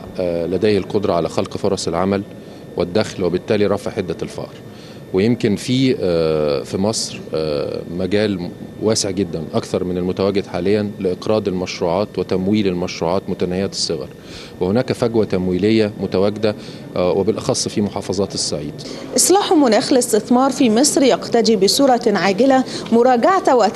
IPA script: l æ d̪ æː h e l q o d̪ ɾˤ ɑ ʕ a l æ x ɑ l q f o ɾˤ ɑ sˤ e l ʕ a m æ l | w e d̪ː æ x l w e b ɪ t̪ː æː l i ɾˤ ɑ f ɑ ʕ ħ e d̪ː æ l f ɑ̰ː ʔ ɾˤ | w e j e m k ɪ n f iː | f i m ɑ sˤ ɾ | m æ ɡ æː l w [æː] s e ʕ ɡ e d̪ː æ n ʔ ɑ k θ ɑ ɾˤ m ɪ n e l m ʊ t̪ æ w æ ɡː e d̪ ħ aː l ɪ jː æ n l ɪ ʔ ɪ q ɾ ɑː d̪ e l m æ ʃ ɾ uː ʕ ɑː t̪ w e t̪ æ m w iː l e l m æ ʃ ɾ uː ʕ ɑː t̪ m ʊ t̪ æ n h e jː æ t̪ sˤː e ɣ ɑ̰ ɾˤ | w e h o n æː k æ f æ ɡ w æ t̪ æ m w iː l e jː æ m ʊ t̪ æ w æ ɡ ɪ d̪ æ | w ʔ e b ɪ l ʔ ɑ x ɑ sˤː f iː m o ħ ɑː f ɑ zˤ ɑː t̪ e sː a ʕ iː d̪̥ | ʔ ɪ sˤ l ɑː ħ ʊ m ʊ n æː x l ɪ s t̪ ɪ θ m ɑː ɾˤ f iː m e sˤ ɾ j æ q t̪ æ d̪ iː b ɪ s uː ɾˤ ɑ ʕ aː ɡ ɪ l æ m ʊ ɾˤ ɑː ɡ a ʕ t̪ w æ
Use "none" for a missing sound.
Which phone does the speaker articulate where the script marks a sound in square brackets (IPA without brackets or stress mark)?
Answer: æː